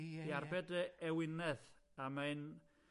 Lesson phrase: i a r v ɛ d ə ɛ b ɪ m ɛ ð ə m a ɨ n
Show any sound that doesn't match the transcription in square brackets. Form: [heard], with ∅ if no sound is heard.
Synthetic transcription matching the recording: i a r [b] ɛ d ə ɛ [w] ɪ [n] ɛ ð [a] m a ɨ n